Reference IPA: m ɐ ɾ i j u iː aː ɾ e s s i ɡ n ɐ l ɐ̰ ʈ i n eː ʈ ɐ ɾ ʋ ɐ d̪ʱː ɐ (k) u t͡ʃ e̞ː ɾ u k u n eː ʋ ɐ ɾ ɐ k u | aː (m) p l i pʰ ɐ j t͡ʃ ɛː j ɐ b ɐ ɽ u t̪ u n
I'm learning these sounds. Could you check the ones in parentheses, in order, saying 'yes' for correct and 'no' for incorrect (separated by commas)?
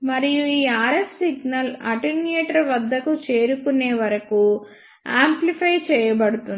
yes, yes